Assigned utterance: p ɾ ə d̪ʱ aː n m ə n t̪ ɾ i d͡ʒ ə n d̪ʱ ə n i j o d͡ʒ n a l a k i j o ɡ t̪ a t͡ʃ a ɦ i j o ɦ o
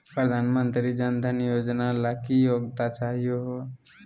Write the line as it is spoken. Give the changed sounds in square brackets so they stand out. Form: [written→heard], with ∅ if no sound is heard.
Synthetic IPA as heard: p ɾ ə d̪ʱ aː n m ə n t̪ ɾ i d͡ʒ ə n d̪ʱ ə n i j o d͡ʒ n a l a k i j o ɡ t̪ a t͡ʃ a ɦ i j o ɦ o